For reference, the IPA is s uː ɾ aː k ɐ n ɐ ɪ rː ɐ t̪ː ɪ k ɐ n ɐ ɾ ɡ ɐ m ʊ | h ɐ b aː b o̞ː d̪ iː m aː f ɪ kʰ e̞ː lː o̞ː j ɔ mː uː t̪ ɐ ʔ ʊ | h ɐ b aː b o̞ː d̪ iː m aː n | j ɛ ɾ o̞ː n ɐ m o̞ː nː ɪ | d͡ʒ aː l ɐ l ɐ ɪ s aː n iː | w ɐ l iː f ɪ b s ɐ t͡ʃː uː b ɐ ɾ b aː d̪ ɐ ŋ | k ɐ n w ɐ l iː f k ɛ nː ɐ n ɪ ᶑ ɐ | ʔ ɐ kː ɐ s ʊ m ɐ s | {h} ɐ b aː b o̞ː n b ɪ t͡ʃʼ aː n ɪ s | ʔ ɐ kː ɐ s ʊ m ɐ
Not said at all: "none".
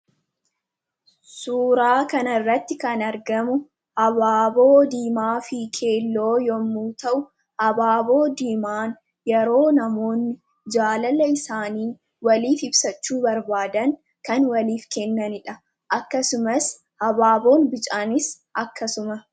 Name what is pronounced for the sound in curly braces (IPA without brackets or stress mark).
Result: h